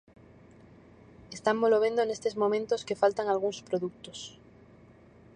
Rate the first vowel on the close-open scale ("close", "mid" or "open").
mid